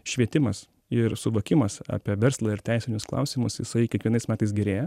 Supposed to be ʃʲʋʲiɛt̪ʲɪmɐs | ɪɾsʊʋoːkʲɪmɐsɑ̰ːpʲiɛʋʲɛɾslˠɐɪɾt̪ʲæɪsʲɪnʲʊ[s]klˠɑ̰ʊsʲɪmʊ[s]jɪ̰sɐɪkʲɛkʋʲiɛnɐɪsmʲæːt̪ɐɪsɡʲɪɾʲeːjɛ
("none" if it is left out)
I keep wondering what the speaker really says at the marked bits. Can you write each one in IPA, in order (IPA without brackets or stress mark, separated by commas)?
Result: s, s